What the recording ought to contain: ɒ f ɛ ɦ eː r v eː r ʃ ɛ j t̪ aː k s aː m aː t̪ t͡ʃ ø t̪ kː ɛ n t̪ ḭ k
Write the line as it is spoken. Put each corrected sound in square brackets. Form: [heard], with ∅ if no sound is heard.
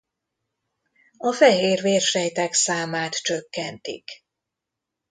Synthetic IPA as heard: ɒ f ɛ ɦ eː r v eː r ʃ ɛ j t̪ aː k s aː m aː t̪ t͡ʃ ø [∅] kː ɛ n t̪ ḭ k